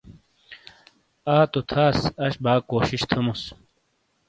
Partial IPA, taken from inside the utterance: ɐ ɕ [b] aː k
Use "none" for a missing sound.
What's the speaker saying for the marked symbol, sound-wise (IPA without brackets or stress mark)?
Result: b